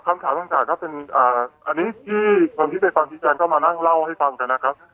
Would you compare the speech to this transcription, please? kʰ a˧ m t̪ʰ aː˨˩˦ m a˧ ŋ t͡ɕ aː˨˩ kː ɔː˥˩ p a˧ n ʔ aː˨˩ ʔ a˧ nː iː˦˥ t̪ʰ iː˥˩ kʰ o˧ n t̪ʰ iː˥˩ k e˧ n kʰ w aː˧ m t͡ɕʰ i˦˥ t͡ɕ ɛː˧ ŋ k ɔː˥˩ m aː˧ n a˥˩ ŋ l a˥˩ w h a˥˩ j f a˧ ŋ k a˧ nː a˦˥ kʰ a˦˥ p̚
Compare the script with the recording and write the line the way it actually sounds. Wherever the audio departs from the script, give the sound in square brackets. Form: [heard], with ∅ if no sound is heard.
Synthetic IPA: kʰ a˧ m t̪ʰ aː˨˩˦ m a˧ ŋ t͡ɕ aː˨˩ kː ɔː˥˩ p [e˧] n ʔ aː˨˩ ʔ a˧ nː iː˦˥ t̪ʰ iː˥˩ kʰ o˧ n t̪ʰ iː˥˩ [p] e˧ n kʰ w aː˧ m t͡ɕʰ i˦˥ t͡ɕ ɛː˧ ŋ k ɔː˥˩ m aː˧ n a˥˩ ŋ l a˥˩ w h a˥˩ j f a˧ ŋ k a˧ nː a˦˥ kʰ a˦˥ p̚